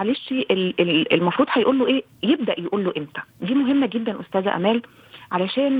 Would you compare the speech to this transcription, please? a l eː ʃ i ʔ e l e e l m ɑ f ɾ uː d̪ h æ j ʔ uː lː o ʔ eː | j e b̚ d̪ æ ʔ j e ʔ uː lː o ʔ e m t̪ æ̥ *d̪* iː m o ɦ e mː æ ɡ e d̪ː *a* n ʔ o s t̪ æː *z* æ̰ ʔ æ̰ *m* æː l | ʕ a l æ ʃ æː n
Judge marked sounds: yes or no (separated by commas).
yes, no, yes, yes